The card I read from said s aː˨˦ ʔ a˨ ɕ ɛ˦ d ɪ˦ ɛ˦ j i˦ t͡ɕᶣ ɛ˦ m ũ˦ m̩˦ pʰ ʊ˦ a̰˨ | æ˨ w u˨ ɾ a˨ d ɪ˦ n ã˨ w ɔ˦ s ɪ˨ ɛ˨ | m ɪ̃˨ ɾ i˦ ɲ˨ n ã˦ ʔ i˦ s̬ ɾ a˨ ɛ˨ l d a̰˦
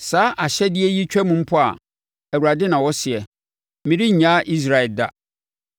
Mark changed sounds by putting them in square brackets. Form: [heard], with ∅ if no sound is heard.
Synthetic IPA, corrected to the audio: s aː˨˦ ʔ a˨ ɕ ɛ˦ d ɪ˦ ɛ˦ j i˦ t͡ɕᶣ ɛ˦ m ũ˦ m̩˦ pʰ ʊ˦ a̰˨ | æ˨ w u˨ ɾ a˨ d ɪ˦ n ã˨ w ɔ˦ s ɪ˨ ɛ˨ | m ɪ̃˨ ɾ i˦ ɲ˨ [ɲ] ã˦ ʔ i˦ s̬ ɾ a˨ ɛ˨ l d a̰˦